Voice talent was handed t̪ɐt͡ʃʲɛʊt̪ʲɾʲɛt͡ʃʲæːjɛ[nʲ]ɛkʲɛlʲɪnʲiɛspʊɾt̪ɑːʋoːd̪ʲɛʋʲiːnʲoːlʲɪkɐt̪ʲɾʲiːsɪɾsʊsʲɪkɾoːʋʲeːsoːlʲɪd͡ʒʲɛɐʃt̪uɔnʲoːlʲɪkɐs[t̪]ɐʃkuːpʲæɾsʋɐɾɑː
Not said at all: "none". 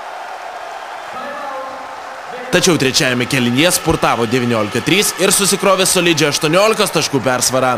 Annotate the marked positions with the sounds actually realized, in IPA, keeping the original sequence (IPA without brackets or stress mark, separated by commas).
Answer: mʲ, t̪